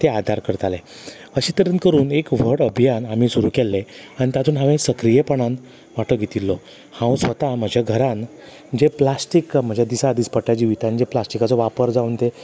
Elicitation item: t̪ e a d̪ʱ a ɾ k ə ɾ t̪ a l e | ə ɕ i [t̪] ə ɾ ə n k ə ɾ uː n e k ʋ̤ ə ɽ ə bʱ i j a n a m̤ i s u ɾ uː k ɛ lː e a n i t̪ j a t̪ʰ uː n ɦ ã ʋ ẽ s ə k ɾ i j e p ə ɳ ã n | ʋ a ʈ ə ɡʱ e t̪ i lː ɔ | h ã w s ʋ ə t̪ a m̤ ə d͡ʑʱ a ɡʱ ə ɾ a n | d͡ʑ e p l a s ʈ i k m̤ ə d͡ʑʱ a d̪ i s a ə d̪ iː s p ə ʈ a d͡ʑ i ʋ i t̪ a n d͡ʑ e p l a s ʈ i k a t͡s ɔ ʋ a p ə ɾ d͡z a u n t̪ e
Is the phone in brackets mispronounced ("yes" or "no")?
no